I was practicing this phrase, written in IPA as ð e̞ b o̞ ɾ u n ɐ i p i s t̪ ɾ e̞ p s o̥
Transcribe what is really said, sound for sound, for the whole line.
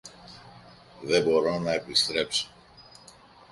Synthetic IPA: ð e̞ b o̞ ɾ o n ɐ e p i s t̪ ɾ e̞ p s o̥